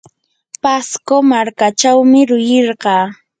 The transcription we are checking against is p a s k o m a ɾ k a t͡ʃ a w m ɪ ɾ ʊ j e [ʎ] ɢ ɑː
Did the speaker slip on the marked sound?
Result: yes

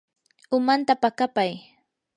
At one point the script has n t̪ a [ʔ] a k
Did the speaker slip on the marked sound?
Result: yes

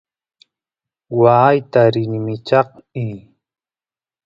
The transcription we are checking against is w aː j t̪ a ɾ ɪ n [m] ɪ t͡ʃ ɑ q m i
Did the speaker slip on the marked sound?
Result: no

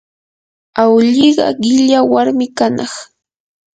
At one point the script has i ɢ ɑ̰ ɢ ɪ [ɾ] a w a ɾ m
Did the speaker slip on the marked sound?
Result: yes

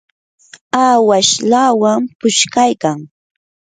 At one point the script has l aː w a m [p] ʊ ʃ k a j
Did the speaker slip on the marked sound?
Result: no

